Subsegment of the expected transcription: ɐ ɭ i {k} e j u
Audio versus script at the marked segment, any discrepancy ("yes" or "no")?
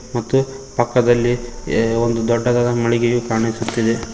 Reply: yes